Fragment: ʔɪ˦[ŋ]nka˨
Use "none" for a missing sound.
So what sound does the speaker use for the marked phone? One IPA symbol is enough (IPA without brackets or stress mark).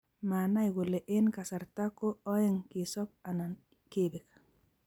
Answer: none